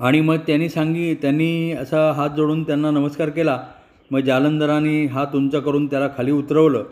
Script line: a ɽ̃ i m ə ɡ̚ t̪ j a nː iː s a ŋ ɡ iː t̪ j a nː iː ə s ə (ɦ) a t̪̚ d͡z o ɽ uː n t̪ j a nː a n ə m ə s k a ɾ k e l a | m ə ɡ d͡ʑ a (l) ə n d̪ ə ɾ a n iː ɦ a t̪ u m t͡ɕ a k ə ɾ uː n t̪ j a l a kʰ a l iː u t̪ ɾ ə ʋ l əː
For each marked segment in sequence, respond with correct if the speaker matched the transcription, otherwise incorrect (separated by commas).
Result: correct, correct